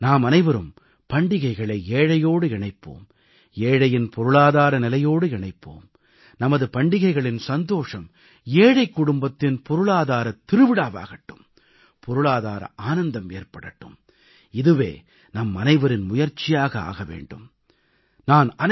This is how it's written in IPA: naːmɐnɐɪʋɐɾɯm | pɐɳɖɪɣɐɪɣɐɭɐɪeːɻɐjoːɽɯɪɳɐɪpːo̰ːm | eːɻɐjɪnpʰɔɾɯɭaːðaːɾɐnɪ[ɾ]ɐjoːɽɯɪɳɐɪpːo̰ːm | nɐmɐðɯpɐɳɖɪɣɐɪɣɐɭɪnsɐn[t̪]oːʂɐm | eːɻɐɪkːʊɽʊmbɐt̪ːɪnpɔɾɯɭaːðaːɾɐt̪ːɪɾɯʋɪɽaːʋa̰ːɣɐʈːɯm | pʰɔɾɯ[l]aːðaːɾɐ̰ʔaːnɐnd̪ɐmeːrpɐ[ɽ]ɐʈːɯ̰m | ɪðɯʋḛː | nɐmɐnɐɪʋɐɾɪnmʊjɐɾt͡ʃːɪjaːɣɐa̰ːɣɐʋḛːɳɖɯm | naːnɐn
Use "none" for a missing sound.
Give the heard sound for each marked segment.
l, d̪, ɭ, ɽ

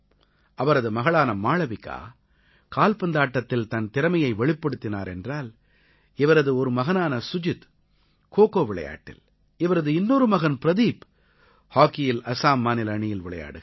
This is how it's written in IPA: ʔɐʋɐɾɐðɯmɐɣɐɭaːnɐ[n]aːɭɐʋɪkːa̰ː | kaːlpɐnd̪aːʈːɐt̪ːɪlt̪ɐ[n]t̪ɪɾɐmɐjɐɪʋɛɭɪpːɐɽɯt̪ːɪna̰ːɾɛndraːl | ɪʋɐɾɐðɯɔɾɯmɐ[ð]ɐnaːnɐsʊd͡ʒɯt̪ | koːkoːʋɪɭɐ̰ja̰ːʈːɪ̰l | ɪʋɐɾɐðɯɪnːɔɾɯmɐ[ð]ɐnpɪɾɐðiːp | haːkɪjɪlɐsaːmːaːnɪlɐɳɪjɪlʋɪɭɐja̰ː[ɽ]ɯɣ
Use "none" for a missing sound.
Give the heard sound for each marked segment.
m, n, ɣ, ɣ, ɽ

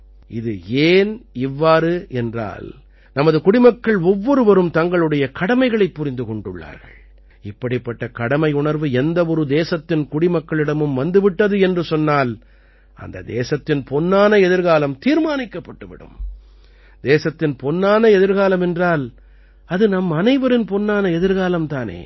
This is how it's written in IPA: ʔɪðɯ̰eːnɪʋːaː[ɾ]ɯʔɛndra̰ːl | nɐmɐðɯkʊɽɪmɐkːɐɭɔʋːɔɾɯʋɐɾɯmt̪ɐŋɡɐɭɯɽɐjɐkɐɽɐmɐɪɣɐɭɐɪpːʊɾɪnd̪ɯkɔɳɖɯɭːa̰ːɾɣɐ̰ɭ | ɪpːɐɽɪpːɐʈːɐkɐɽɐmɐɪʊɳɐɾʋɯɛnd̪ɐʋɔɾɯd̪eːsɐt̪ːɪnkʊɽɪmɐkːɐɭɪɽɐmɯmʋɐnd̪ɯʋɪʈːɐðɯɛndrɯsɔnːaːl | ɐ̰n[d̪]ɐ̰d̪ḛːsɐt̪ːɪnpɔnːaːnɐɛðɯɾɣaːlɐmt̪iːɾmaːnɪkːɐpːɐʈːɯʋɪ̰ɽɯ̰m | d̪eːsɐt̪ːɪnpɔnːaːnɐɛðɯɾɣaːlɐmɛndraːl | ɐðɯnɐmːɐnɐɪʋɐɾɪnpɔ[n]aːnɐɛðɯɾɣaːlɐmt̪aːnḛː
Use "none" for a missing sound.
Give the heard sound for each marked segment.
ɾ, d̪, nː

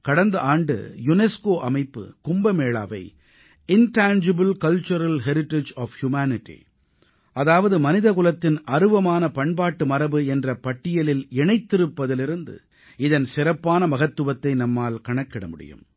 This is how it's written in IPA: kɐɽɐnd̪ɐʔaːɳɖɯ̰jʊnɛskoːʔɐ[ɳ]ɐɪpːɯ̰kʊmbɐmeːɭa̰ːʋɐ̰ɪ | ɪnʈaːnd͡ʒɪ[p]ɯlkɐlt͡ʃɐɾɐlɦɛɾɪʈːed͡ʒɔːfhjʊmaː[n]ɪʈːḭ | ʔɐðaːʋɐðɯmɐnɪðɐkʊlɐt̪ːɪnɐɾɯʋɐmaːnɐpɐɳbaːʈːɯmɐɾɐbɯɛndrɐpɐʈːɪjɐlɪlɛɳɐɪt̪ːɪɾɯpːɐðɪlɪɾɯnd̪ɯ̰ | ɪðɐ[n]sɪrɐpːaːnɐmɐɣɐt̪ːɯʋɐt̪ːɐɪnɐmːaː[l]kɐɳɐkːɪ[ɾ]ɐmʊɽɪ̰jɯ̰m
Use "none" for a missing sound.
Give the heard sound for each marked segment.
m, b, n, n, l, ɽ

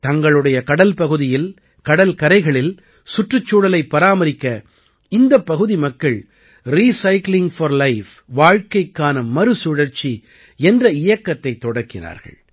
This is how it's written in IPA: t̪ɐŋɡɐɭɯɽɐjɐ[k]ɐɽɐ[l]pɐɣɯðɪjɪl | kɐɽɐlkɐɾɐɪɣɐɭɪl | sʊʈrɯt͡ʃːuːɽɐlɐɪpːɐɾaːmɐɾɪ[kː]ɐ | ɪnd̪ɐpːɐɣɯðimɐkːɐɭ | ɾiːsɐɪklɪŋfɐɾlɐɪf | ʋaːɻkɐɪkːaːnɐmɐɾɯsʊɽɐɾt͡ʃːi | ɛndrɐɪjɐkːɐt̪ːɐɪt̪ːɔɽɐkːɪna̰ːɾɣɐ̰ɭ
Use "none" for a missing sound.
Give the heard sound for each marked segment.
k, l, kː

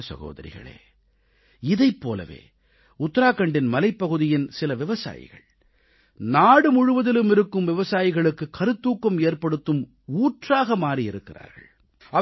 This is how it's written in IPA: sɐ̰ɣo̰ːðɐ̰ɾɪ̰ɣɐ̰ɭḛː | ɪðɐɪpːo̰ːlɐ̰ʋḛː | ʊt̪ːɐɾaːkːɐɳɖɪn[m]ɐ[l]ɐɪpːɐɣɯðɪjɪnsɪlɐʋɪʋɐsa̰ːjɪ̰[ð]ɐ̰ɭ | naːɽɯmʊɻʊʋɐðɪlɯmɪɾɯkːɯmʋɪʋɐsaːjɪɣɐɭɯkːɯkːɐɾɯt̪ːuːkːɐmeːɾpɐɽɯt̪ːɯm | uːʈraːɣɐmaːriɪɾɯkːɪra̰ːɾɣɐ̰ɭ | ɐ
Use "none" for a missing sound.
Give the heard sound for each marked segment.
m, l, ɣ

